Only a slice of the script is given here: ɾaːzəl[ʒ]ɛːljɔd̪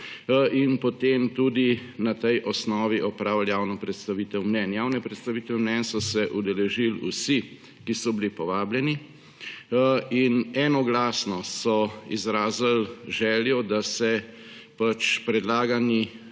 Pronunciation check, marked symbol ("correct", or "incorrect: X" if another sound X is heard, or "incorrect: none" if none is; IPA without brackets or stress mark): correct